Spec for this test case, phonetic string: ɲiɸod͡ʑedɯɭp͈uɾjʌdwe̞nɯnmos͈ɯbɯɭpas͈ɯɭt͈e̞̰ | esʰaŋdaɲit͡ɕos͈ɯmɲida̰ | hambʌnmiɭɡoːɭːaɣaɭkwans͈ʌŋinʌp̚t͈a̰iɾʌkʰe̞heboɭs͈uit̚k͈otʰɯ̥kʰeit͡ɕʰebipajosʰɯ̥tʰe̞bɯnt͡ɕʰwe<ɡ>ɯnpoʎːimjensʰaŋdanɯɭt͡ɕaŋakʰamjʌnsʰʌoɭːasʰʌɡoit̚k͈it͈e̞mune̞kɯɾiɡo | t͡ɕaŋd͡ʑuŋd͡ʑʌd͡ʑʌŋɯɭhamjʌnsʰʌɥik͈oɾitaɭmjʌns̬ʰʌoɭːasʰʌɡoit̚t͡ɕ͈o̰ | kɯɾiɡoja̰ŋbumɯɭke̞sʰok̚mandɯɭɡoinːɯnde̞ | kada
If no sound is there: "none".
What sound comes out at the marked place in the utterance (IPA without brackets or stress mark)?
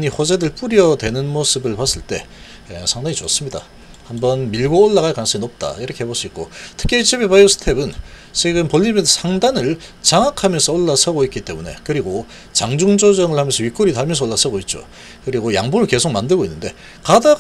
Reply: ɡ